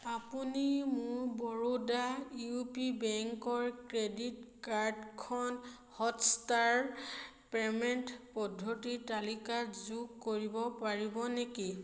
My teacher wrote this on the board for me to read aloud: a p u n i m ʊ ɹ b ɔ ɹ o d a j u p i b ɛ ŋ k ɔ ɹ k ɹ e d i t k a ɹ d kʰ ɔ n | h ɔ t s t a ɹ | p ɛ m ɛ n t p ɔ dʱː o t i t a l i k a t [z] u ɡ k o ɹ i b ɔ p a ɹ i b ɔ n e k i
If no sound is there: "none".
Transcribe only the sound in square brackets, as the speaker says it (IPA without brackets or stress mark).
z